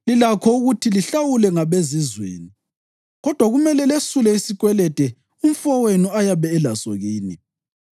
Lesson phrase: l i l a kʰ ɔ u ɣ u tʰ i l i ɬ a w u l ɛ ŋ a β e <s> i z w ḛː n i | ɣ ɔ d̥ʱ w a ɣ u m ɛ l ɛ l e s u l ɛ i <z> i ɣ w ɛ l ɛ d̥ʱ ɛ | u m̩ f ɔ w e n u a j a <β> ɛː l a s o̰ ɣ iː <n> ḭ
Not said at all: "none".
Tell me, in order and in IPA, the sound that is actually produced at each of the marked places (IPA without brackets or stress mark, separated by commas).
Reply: z, s, β, n